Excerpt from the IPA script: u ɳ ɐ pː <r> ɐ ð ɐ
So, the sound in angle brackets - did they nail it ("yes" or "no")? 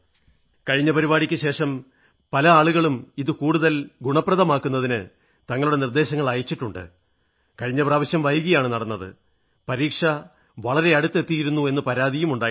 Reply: yes